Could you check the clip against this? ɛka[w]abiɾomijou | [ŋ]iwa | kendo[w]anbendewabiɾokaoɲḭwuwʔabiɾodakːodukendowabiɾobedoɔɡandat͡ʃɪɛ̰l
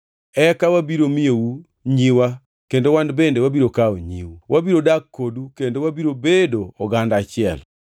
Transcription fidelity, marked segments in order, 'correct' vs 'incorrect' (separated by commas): correct, incorrect, correct